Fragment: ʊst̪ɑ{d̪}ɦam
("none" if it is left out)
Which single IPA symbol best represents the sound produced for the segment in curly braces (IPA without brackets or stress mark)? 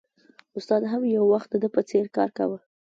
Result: d̪